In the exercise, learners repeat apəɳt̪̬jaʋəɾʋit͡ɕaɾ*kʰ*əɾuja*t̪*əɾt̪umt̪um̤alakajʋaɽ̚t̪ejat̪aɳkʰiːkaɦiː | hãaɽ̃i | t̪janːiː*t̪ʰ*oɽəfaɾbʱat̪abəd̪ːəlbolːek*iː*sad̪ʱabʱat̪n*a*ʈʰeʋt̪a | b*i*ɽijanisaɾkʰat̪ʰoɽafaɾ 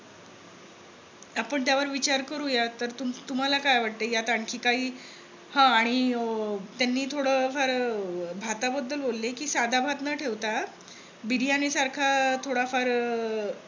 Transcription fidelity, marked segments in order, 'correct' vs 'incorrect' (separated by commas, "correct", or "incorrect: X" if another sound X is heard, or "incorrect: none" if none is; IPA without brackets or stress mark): incorrect: k, correct, correct, correct, incorrect: ə, correct